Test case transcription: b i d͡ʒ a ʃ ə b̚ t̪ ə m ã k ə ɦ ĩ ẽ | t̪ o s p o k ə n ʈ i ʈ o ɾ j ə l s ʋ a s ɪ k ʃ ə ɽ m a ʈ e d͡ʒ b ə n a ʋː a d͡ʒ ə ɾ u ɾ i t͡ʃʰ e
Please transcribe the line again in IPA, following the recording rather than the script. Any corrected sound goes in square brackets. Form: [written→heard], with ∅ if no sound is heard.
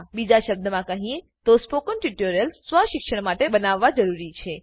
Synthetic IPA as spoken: b i d͡ʒ a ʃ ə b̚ [t̪→d̪] ə m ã k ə ɦ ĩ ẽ | t̪ o s p o k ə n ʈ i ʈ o ɾ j ə l s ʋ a [s→ʃ] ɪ k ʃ ə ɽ m a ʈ e [d͡ʒ→∅] b ə n a ʋː a d͡ʒ ə ɾ u ɾ i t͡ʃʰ e